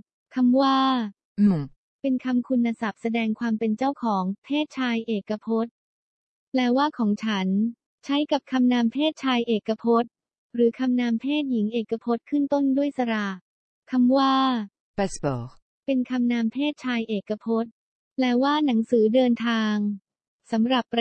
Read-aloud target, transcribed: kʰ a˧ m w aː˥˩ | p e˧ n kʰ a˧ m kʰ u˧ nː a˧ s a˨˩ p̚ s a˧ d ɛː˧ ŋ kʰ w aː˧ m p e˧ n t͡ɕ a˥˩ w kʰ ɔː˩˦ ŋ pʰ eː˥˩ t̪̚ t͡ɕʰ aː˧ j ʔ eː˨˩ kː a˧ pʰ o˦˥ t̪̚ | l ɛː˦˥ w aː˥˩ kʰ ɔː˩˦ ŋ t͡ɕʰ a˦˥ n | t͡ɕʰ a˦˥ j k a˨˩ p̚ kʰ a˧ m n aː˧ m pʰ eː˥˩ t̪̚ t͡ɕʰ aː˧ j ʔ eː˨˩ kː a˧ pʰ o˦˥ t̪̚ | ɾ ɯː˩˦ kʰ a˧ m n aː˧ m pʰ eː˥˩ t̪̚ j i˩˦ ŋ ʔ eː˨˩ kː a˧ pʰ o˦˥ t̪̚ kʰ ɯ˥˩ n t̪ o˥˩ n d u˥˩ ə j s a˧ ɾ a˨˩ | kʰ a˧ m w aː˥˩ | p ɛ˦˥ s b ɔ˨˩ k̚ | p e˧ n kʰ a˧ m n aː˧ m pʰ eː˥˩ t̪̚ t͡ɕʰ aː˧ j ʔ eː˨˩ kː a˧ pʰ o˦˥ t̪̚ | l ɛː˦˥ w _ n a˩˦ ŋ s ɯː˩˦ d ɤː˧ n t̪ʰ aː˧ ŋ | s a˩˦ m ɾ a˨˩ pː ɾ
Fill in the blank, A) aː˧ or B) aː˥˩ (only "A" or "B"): B